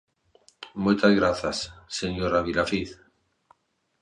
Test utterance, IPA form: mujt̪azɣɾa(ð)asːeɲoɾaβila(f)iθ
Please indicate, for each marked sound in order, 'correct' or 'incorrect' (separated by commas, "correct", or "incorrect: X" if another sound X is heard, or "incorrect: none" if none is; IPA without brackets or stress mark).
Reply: incorrect: θ, correct